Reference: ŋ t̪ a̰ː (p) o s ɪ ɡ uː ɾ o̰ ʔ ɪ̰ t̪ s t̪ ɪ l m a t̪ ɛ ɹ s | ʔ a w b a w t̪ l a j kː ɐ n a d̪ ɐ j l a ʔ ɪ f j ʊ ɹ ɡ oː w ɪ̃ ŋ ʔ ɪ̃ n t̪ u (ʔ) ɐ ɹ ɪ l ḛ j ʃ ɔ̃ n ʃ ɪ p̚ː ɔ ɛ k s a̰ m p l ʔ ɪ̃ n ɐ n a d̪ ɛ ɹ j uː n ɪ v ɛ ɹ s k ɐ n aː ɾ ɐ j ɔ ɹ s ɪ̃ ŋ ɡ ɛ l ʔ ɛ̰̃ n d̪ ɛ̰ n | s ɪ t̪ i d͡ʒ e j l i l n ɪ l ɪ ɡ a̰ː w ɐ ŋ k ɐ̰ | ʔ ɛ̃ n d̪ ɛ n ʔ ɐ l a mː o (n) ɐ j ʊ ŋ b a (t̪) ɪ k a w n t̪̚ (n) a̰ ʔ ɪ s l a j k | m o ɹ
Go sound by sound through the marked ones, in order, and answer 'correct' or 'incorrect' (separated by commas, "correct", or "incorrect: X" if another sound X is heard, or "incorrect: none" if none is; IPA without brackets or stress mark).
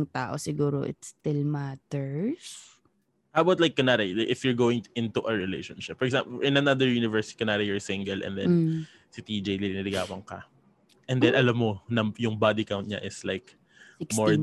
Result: incorrect: ʔ, correct, correct, incorrect: d̪, incorrect: ɲ